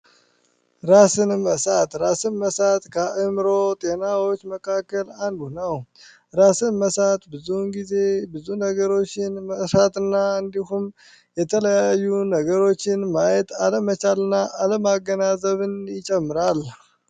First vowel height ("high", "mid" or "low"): low